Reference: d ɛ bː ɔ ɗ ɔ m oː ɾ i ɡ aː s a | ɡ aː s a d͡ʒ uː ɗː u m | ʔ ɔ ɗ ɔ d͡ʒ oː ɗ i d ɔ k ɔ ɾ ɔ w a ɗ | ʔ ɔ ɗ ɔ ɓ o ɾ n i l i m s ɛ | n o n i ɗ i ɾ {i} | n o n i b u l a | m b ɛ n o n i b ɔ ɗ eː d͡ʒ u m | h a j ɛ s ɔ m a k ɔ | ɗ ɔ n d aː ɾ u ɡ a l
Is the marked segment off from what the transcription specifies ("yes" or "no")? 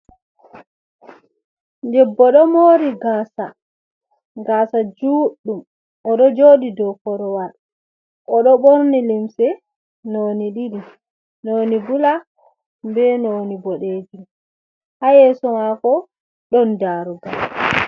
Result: no